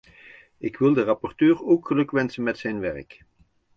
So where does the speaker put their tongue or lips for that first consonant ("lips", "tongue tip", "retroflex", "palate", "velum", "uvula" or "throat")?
velum